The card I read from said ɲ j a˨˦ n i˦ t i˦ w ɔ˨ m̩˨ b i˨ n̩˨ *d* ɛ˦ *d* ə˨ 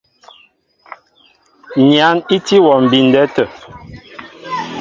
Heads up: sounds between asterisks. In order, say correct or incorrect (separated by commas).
correct, incorrect